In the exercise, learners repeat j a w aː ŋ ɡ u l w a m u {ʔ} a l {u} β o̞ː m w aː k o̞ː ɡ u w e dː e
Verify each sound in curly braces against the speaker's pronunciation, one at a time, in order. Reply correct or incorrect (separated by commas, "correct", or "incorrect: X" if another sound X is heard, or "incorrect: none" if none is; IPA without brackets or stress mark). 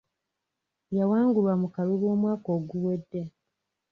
incorrect: k, correct